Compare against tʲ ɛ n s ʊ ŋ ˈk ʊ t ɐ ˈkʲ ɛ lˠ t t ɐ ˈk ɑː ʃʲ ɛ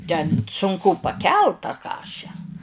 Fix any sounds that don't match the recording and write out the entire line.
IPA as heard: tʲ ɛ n s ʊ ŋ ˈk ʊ p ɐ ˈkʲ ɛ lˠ t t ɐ ˈk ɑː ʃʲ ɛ